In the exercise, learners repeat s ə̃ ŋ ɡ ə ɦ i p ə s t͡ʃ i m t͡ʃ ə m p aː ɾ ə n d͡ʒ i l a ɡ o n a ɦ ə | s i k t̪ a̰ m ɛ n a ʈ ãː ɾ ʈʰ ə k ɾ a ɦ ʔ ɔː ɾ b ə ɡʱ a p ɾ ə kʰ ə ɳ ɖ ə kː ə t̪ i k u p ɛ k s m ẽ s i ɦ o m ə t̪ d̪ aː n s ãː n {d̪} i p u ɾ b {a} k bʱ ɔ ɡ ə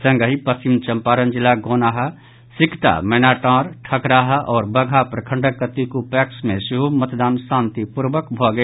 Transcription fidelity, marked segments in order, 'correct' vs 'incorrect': incorrect: t̪, incorrect: ə

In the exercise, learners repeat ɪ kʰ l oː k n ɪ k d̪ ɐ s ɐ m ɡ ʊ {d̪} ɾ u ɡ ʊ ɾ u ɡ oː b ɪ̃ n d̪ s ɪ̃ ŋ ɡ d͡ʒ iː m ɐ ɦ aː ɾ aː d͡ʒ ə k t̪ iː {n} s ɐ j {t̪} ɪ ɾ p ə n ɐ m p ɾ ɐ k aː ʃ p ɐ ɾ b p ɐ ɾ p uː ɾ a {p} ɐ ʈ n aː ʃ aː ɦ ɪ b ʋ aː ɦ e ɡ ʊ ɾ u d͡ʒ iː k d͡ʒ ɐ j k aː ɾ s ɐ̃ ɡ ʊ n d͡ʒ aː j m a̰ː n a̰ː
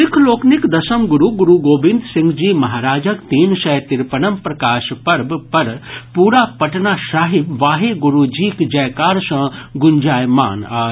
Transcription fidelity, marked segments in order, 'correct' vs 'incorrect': incorrect: none, correct, correct, correct

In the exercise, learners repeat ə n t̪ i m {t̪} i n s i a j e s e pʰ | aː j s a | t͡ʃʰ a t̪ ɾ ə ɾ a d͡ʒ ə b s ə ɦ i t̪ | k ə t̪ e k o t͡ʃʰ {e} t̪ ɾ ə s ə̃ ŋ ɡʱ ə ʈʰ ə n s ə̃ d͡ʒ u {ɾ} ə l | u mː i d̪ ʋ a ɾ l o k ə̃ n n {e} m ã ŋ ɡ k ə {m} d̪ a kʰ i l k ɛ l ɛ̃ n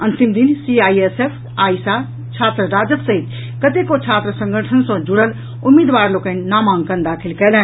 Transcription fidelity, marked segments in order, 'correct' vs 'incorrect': incorrect: d̪, incorrect: a, incorrect: ɽ, incorrect: a, incorrect: n

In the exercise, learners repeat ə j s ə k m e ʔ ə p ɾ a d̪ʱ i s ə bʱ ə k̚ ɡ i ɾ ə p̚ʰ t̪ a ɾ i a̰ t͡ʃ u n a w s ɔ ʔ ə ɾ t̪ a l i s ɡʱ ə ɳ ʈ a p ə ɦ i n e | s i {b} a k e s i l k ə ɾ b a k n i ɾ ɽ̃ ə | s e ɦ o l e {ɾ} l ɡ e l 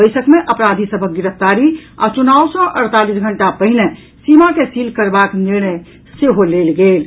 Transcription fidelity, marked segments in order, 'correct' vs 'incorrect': incorrect: m, incorrect: none

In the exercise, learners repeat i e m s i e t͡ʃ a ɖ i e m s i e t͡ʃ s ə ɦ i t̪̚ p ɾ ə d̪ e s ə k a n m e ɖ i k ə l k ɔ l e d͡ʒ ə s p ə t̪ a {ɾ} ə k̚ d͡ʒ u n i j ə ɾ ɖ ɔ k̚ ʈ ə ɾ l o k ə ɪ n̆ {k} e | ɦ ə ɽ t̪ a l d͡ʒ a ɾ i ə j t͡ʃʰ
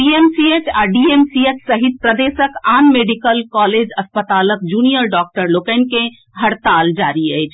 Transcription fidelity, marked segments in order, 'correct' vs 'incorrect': incorrect: l, correct

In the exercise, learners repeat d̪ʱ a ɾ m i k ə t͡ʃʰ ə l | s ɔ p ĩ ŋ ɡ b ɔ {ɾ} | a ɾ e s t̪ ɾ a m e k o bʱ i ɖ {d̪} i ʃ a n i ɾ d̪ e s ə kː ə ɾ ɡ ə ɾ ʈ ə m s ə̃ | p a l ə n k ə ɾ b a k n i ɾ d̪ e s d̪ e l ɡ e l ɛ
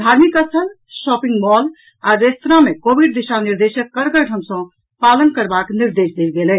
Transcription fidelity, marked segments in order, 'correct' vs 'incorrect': incorrect: l, correct

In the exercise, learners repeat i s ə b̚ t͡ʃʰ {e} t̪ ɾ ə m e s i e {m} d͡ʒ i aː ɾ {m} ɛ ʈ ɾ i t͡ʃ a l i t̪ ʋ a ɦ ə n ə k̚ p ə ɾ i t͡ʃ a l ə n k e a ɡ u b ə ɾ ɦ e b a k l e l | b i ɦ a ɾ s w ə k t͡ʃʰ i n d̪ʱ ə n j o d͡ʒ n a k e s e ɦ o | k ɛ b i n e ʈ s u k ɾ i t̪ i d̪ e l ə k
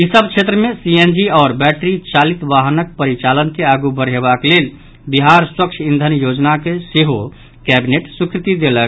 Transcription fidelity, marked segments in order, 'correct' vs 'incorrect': correct, incorrect: n, incorrect: b

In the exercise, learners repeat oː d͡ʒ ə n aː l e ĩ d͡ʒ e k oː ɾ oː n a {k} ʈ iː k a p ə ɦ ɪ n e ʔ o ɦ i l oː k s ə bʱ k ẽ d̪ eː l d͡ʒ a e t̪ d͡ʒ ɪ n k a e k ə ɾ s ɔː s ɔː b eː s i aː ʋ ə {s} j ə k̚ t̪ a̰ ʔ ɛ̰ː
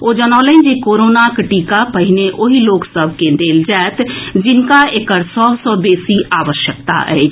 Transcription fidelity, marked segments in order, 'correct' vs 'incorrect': correct, incorrect: ʃ

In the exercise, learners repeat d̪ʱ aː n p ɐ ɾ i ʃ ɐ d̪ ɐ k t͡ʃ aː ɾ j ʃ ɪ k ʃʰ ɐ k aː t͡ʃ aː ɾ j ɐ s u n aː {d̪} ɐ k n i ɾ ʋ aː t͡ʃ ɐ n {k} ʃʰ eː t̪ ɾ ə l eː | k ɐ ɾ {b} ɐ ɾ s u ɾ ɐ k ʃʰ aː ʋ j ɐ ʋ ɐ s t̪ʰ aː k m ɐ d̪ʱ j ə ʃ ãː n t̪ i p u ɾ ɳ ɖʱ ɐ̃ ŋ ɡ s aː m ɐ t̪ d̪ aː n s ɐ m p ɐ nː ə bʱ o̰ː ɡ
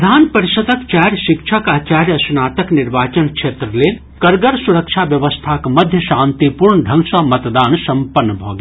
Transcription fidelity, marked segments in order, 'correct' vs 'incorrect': incorrect: t̪, correct, incorrect: ɡ

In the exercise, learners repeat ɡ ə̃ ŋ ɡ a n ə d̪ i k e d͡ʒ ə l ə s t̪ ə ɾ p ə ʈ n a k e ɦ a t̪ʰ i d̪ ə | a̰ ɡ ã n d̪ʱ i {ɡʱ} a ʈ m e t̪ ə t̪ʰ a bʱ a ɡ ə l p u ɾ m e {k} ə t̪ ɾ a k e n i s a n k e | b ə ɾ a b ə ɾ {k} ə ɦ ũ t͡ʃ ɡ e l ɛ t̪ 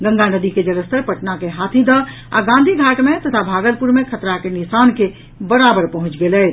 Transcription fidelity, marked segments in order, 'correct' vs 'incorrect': correct, incorrect: kʰ, incorrect: p

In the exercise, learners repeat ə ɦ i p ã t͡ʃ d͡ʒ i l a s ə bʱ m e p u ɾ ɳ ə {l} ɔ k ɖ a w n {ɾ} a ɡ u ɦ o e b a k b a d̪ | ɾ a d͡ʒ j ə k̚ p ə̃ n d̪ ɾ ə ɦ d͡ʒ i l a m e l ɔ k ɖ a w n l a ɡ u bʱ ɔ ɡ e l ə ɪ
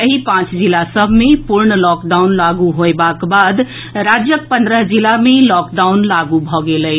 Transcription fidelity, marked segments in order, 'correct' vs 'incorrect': correct, incorrect: l

